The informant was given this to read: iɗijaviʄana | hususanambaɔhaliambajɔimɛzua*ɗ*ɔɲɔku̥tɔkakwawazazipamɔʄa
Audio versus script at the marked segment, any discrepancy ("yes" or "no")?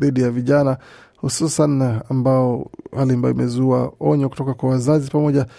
yes